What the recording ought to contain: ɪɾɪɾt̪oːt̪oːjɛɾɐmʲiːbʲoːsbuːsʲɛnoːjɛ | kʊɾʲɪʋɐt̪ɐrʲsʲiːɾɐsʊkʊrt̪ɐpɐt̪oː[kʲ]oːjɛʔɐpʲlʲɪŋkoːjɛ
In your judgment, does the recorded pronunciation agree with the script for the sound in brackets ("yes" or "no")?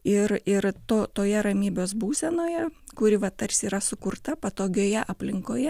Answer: no